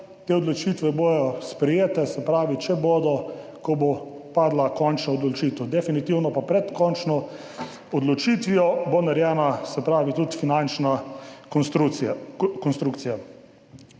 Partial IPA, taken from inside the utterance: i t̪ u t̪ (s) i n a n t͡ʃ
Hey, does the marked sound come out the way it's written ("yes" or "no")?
no